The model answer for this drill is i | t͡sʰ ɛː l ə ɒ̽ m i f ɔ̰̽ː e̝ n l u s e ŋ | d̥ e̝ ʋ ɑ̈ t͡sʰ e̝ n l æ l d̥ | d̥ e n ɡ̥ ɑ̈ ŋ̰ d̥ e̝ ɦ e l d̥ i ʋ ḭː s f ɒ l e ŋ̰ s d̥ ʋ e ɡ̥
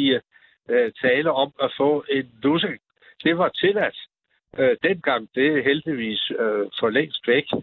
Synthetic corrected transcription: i | t͡sʰ ɛː l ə ɒ̽ m æ f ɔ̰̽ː e̝ n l u s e ŋ | d̥ e̝ ʋ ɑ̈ t͡sʰ e̝ l æ d̥ | d̥ e n ɡ̥ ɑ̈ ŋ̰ d̥ e̝ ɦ e l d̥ i ʋ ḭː s f ɒ l e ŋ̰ s d̥ ʋ e ɡ̥